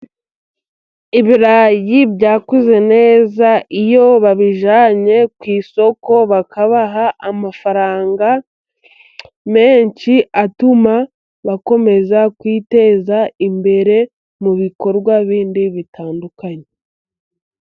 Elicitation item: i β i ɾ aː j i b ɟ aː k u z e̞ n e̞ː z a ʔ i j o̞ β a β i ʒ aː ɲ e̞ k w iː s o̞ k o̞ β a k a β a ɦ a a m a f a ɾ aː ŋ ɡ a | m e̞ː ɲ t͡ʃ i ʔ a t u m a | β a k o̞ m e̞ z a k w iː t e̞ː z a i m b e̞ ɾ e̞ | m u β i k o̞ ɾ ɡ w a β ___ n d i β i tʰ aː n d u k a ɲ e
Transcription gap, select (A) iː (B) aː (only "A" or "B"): A